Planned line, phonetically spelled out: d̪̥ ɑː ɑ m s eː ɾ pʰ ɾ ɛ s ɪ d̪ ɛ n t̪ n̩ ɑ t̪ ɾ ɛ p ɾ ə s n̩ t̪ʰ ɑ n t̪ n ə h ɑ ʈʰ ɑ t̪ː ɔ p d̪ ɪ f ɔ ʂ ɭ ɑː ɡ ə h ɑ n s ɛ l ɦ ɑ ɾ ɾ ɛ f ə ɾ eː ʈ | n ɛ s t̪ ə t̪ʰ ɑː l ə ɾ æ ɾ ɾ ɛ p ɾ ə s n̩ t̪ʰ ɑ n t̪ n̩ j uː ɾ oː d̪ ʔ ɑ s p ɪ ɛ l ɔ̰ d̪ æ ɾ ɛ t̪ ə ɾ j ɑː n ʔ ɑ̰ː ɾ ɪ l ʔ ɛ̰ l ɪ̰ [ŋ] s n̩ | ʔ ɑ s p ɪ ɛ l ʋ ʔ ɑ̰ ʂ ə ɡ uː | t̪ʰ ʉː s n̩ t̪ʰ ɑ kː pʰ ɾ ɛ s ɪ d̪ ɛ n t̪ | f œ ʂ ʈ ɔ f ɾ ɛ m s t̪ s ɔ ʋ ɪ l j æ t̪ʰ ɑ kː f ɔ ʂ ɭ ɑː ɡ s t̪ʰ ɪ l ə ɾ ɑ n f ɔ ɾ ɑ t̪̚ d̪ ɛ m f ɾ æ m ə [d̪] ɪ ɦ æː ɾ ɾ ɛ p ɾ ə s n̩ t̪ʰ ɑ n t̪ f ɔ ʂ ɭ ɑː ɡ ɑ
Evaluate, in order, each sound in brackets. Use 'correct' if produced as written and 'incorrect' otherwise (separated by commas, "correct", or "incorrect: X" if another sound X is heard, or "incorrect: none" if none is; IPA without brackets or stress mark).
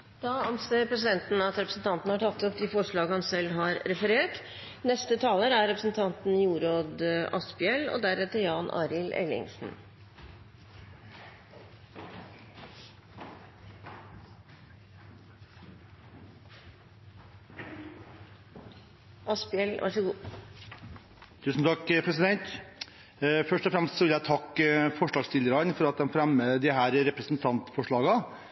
correct, correct